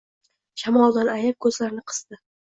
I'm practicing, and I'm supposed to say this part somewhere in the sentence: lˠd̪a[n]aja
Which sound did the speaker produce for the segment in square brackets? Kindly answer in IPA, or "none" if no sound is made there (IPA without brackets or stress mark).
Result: n